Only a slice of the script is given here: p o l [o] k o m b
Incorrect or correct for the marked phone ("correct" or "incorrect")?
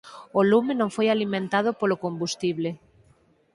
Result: correct